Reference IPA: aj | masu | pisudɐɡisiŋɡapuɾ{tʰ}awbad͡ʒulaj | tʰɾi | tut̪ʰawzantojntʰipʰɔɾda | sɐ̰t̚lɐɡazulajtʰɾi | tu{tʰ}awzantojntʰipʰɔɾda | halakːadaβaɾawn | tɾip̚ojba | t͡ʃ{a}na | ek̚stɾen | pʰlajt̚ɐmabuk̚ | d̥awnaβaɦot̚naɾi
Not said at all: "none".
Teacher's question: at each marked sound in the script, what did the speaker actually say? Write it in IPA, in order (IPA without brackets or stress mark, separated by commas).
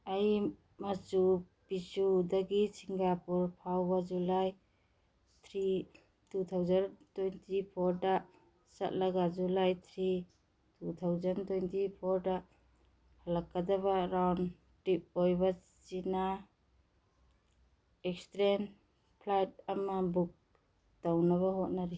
pʰ, tʰ, i